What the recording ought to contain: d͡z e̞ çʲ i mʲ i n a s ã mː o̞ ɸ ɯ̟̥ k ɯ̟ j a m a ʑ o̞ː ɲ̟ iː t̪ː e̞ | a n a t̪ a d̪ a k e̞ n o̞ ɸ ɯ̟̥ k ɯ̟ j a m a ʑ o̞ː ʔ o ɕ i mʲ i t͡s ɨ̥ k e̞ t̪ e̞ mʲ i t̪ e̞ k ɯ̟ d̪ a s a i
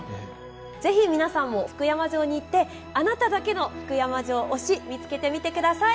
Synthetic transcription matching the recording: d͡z e̞ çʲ i mʲ i n a s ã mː o̞ ɸ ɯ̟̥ k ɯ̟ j a m a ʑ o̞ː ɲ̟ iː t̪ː e̞ | a n a t̪ a d̪ a k e̞ n o̞ ɸ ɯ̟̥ k ɯ̟ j a m a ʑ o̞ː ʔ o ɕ i mʲ i t͡s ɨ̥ k e̞ t̪ e̞ mʲ i t̪ e̞ k ɯ̟ d̪ a s a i